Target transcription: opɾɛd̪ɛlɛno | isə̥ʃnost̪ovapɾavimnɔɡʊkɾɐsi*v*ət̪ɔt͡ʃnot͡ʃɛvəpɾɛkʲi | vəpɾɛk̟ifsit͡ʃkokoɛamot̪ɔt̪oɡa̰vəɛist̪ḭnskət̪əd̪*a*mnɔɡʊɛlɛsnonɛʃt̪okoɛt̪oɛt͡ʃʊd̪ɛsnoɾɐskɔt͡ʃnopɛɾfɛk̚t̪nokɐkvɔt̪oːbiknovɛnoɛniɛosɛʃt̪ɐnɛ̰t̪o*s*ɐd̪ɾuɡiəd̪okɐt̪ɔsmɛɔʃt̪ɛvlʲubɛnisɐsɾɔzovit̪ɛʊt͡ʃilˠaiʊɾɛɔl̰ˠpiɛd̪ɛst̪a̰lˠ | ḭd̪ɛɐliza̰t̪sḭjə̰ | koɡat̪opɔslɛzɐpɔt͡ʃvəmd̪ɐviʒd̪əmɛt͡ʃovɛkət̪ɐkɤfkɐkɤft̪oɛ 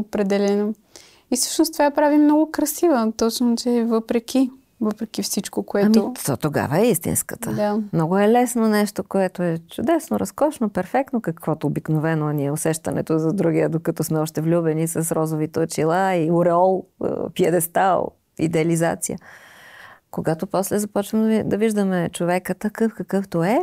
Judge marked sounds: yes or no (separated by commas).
yes, yes, no